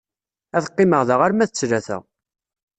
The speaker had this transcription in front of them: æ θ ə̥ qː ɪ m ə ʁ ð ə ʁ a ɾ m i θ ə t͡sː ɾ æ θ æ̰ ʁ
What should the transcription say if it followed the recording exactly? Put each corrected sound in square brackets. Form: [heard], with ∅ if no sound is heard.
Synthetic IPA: æ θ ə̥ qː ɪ m ə ʁ ð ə ʁ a ɾ m [æ] θ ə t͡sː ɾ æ θ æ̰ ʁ